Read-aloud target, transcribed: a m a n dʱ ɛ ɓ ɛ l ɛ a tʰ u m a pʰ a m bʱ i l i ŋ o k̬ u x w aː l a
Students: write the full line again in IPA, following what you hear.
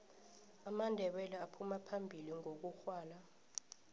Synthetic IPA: a m a n dʱ ɛ ɓ ɛ l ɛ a pʰ u m a pʰ a m bʱ i l i ŋ o k̬ u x w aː l a